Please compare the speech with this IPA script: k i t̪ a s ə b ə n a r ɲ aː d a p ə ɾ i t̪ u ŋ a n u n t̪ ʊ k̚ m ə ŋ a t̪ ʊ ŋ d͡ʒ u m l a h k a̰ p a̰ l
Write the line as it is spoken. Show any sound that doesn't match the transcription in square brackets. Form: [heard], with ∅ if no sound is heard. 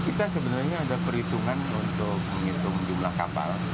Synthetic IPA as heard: k i t̪ a s ə b ə n a r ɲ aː d a p ə ɾ i t̪ u ŋ a n u n t̪ ʊ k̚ m ə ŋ [i] t̪ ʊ ŋ d͡ʒ u m l a h k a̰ p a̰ l